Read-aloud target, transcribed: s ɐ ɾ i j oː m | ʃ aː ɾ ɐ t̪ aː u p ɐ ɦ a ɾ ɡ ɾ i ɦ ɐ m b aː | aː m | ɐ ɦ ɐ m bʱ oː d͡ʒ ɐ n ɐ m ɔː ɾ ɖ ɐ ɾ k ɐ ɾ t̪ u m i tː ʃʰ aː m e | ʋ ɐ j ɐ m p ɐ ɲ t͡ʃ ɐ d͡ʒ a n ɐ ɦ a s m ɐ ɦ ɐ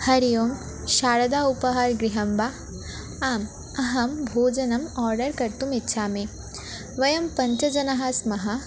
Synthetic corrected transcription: h ɐ ɾ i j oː m | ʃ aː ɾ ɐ d̪ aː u p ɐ ɦ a ɾ ɡ ɾ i ɦ ɐ m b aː | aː m | ɐ ɦ ɐ m bʱ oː d͡ʒ ɐ n ɐ m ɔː ɾ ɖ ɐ ɾ k ɐ ɾ t̪ u m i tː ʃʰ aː m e | ʋ ɐ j ɐ m p ɐ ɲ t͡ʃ ɐ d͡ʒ ɐ n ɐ ɦ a s m ɐ ɦ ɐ